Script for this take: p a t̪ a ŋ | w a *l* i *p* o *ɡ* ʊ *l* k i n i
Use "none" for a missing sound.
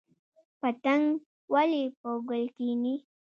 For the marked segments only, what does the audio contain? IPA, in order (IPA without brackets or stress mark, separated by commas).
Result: l, p, ɡ, l